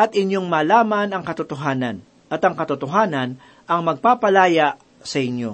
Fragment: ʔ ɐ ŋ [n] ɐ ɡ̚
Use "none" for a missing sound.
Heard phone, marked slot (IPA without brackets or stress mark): m